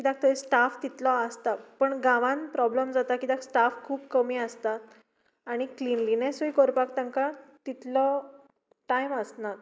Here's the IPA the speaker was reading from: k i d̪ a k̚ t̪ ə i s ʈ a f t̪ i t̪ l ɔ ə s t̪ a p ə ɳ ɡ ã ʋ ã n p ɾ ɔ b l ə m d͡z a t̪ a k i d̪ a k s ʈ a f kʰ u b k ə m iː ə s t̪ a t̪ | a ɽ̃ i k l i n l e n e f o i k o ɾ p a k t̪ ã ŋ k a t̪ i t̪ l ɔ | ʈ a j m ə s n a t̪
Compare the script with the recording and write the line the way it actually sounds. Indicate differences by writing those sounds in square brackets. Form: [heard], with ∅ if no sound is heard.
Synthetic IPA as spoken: k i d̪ a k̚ t̪ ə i s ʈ a f t̪ i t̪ l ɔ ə s t̪ a p ə ɳ ɡ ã ʋ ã n p ɾ ɔ b l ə m d͡z a t̪ a k i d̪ a k s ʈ a f kʰ [uː] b k ə m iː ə s t̪ a t̪ | a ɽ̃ i k l i n l [i] n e [s] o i k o ɾ p a k t̪ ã ŋ k a t̪ i t̪ l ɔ | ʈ a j m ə s n a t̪